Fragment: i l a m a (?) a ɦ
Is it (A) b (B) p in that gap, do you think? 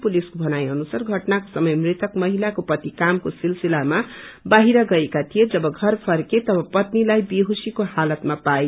A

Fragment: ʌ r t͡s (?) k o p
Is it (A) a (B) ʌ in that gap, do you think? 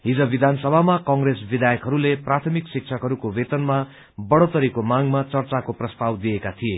A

